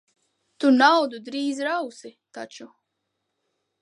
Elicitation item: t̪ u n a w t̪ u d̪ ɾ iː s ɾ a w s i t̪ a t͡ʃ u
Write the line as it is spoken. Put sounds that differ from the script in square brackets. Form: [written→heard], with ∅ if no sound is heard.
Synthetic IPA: t̪ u n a w [t̪→d̪] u d̪ ɾ iː [s→z] ɾ a w s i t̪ a t͡ʃ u